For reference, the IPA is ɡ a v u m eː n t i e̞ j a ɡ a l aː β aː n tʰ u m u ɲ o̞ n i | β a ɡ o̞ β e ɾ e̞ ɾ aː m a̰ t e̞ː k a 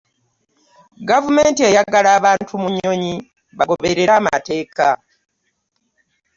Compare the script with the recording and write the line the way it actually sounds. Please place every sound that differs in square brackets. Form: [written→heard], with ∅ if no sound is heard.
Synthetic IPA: ɡ a v u m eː n t i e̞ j a ɡ a l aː β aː n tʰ u m u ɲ o̞ [n→ɲ] i | β a ɡ o̞ β e ɾ e̞ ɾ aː m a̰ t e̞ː k a